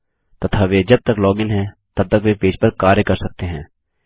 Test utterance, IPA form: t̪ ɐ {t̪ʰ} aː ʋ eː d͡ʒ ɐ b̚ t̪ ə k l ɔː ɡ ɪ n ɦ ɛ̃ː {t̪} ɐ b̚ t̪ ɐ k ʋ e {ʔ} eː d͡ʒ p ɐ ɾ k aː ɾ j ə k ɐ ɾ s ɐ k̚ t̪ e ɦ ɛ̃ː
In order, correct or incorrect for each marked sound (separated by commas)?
correct, correct, incorrect